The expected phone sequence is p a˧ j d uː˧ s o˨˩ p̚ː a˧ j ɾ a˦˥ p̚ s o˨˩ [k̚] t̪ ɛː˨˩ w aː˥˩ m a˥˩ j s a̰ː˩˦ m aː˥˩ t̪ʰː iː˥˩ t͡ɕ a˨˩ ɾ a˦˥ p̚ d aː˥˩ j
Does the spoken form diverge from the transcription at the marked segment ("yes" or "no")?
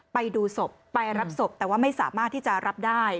yes